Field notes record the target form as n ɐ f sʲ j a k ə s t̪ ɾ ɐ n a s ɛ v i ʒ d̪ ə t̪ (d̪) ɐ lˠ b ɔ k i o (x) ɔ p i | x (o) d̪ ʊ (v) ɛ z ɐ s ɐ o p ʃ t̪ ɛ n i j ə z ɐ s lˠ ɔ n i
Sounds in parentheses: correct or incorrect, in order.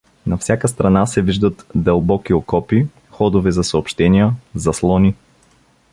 correct, incorrect: k, incorrect: ɔ, correct

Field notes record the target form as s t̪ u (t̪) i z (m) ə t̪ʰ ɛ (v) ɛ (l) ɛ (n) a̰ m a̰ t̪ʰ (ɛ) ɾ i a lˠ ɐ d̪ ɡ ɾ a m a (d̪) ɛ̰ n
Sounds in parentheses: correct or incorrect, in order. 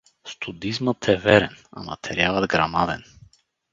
incorrect: d̪, correct, correct, incorrect: ɾ, correct, correct, correct

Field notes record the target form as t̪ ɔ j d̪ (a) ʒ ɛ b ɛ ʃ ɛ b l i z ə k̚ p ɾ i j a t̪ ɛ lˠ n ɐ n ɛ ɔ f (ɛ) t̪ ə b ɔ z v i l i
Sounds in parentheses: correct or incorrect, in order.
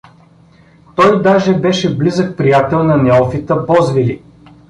correct, incorrect: i

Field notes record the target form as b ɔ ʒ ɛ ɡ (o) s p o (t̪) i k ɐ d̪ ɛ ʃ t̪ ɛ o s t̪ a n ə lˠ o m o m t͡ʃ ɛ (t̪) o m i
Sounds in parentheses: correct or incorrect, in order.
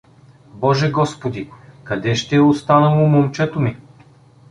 incorrect: ɔ, incorrect: d̪, correct

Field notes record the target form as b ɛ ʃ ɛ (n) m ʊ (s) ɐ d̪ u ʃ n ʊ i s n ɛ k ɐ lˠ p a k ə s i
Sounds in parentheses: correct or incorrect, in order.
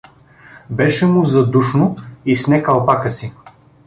incorrect: none, incorrect: z

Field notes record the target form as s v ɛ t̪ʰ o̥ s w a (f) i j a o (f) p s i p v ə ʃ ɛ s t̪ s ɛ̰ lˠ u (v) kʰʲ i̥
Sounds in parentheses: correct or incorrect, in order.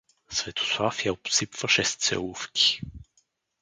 correct, incorrect: none, incorrect: f

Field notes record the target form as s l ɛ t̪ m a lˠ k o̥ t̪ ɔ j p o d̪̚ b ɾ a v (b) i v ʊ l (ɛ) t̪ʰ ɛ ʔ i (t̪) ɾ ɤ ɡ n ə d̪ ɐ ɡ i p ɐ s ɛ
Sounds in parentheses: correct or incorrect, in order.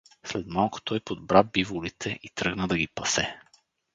correct, incorrect: i, correct

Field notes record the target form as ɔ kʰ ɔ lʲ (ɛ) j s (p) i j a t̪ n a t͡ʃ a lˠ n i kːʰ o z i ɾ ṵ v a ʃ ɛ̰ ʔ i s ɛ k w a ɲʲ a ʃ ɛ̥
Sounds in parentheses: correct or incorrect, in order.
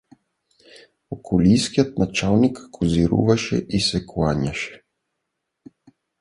incorrect: i, incorrect: k

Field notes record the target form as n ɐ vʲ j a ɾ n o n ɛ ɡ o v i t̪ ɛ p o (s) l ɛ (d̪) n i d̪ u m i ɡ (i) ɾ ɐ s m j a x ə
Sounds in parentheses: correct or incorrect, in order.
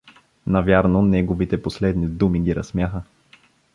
correct, correct, correct

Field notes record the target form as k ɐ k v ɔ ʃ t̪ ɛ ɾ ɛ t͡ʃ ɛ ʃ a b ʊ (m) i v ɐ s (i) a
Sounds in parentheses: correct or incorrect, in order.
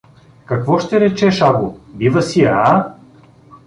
incorrect: b, correct

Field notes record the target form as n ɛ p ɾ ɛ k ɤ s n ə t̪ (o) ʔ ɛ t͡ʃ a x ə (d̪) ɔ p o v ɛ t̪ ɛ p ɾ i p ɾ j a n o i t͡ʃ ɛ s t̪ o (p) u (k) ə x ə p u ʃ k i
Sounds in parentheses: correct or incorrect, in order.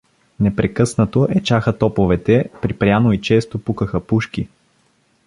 correct, incorrect: t̪, correct, correct

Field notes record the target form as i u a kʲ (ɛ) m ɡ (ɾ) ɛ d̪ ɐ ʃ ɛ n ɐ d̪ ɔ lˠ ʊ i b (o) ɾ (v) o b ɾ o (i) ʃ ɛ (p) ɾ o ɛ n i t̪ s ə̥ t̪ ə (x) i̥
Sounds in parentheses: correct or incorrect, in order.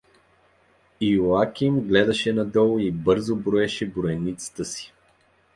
incorrect: i, incorrect: l, incorrect: ɤ, incorrect: z, incorrect: ɛ, incorrect: b, incorrect: s

